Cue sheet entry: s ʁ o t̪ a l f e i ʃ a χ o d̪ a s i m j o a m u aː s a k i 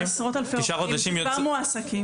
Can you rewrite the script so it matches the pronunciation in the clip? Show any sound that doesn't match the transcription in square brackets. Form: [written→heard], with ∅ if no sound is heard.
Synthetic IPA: s ʁ o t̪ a l f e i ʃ a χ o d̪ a [s→ʃ] i m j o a m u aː s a k i